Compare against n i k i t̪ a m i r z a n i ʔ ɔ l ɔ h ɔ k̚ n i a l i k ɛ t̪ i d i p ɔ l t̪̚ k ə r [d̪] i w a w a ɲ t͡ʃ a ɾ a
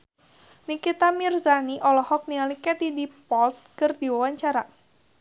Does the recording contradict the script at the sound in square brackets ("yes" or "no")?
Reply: no